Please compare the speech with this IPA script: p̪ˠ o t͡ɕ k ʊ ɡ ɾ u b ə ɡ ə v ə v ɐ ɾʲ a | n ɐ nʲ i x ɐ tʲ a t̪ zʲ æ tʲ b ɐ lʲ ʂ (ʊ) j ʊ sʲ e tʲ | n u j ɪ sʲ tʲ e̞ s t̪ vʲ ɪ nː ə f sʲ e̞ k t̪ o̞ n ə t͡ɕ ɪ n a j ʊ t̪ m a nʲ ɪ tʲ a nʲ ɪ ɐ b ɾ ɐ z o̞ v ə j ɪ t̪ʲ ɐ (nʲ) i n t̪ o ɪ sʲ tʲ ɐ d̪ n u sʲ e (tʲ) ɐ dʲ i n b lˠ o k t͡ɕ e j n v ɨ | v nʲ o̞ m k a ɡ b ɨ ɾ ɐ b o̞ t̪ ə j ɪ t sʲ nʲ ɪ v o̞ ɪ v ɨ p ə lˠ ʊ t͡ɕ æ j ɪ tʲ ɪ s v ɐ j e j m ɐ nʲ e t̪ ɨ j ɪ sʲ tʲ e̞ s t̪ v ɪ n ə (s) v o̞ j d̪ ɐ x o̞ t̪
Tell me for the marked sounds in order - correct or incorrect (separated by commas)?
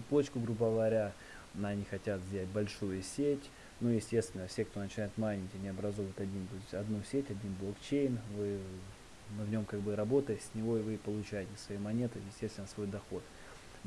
incorrect, incorrect, correct, correct